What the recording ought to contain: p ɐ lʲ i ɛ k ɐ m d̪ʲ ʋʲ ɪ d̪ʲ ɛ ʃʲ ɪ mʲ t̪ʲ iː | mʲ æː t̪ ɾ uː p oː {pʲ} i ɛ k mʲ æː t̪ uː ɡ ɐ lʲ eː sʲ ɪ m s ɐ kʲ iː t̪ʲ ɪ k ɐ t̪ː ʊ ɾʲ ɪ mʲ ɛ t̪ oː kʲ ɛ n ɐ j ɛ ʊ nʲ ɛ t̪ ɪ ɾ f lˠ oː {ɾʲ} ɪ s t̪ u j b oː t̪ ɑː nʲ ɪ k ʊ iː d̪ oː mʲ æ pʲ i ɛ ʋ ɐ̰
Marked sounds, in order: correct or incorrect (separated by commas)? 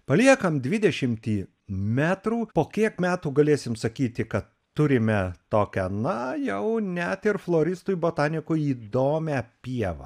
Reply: incorrect, correct